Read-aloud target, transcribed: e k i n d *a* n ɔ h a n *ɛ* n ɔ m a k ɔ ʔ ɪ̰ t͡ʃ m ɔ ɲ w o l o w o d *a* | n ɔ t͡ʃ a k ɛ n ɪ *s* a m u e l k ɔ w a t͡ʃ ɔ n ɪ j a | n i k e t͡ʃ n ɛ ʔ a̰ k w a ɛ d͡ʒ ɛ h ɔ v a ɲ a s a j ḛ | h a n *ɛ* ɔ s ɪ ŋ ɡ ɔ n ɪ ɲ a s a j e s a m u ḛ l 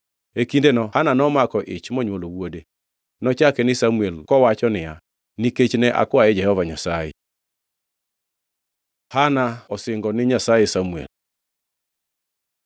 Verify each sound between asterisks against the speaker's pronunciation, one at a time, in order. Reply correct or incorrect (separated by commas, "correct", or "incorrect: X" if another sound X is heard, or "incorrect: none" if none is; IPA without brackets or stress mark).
incorrect: e, incorrect: a, incorrect: e, correct, incorrect: a